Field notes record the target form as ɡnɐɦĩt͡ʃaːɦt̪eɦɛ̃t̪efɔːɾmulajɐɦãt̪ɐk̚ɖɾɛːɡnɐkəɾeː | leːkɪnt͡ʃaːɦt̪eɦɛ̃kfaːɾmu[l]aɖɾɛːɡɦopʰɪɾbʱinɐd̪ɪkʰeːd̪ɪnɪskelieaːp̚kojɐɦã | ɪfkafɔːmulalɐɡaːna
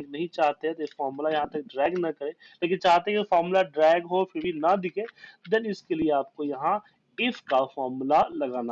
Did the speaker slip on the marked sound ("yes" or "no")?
no